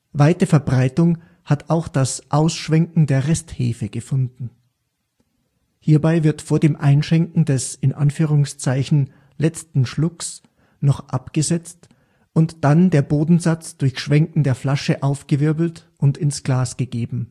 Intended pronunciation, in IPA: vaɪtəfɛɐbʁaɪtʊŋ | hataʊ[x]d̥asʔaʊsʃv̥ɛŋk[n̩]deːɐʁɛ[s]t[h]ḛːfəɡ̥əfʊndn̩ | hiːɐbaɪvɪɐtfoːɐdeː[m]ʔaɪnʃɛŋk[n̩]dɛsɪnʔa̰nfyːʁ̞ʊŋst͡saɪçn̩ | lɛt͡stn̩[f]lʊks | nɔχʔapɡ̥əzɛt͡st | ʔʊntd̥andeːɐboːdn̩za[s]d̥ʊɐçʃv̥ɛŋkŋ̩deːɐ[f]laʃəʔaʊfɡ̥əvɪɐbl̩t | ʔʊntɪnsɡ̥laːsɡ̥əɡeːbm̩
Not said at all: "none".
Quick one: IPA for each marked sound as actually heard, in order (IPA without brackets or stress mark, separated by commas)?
x, ŋ̩, s, h, m, ŋ̩, ʃ, t͡s, f